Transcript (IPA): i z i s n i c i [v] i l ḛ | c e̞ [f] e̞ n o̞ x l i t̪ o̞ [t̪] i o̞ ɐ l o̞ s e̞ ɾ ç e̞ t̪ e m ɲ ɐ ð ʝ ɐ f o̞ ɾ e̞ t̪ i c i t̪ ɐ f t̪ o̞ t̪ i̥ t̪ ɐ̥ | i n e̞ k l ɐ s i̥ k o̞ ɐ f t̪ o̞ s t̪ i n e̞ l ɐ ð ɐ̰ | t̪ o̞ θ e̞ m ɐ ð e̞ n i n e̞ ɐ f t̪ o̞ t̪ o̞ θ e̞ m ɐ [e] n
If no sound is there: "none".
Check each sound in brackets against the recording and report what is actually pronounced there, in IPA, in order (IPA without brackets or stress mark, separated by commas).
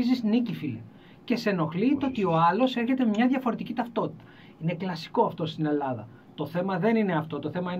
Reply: f, s, t̪, i